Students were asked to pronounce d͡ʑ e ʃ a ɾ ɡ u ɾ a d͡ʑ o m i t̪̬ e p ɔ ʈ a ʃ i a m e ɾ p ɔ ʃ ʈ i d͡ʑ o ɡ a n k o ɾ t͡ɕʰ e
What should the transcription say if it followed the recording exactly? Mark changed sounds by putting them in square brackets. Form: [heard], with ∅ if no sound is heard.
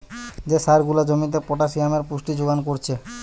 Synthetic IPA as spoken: d͡ʑ e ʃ a ɾ ɡ u [l] a d͡ʑ o m i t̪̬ e p ɔ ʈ a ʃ i a m e ɾ p [u] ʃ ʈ i d͡ʑ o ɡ a n k o ɾ t͡ɕʰ e